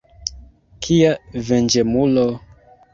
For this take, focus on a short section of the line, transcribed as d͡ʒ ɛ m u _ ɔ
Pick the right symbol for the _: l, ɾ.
l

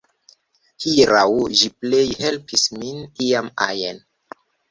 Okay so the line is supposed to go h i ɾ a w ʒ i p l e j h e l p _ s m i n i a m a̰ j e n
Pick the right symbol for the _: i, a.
i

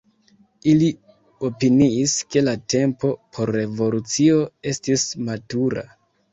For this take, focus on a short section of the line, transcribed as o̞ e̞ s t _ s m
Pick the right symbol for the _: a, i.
i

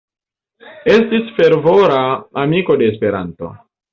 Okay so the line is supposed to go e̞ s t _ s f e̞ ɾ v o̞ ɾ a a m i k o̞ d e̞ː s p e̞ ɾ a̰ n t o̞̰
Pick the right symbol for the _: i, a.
i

